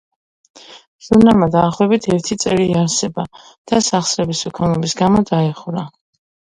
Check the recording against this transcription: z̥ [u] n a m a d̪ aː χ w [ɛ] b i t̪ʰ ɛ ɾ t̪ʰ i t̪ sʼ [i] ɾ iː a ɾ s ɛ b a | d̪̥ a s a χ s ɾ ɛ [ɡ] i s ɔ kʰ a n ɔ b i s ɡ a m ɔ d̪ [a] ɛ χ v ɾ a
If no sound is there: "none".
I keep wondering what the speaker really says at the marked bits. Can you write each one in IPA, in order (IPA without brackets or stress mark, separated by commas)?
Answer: u, ɛ, ɛ, b, a